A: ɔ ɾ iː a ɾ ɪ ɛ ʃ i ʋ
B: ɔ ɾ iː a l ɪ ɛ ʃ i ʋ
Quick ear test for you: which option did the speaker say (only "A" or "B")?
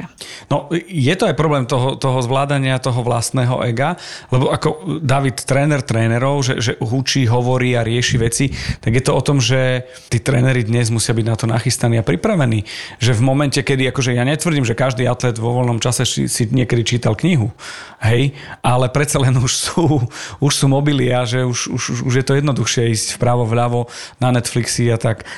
A